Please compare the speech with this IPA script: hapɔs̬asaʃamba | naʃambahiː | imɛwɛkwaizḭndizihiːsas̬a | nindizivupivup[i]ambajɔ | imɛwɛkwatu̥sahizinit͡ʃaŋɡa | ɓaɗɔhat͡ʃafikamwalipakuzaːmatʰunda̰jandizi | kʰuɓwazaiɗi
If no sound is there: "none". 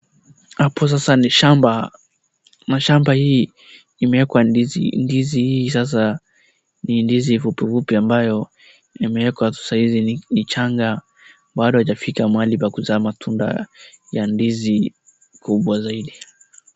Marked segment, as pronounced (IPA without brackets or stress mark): i